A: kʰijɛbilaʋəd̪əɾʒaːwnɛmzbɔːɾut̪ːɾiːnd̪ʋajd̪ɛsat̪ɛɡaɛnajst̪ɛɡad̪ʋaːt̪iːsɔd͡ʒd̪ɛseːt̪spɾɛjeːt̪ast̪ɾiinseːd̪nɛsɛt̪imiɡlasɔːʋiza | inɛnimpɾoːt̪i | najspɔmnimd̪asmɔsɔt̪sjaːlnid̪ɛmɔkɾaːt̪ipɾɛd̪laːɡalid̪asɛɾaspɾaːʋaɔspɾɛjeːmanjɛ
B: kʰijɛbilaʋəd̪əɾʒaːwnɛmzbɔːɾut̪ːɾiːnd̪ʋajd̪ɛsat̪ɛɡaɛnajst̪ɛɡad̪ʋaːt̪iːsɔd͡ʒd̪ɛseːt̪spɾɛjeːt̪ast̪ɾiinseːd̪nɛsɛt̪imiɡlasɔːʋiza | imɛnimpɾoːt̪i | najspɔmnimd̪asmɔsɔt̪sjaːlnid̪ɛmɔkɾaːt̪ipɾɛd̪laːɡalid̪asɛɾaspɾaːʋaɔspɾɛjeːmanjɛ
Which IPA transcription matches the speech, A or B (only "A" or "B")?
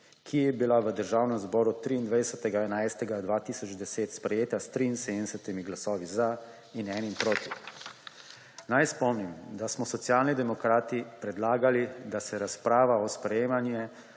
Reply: A